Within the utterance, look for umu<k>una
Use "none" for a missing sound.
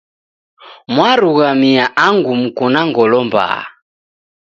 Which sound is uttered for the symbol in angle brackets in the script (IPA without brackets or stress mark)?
k